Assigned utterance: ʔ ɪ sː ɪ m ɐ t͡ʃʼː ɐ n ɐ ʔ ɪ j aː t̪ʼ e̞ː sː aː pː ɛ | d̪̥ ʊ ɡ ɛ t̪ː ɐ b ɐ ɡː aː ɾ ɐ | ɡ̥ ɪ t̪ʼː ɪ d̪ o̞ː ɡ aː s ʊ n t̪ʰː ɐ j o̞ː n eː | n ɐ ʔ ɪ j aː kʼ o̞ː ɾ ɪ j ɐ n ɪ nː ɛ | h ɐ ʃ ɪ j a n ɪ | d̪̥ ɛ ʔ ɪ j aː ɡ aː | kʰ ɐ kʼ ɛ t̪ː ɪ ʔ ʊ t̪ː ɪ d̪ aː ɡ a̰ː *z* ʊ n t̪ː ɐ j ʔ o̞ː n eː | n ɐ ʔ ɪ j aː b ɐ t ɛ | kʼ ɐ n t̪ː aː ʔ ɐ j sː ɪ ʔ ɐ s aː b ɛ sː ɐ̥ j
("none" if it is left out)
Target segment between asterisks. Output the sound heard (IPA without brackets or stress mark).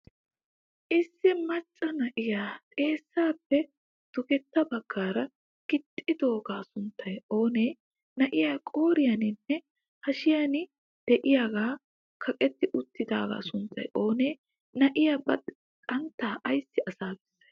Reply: s